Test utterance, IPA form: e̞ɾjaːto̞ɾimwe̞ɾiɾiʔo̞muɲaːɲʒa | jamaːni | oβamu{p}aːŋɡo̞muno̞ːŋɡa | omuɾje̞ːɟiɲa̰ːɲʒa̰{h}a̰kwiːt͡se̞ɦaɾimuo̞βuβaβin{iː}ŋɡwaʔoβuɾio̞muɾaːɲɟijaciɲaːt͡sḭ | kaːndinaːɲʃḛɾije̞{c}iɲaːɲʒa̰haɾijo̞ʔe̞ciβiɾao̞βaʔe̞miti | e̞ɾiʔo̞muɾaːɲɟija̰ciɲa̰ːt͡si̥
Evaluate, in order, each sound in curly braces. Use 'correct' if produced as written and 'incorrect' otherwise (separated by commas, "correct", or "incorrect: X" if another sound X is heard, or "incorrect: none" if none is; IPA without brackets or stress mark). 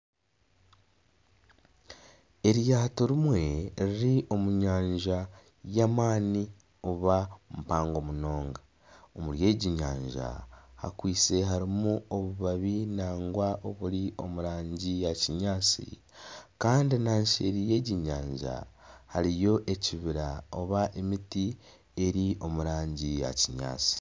correct, correct, incorrect: aː, incorrect: ɟ